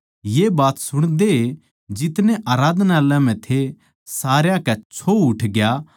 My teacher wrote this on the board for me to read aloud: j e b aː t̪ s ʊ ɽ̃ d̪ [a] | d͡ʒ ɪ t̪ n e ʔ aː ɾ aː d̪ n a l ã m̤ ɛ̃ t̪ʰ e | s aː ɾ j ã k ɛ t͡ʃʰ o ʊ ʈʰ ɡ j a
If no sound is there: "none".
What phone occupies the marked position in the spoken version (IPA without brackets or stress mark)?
e